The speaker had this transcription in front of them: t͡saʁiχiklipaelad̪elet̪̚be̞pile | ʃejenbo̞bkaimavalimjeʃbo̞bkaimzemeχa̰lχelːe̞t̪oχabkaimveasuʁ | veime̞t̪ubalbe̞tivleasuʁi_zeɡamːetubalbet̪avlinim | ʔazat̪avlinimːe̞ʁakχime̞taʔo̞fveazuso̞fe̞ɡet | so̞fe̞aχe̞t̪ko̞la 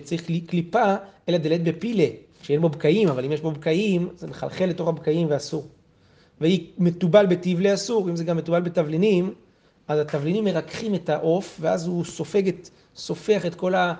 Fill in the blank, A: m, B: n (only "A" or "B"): A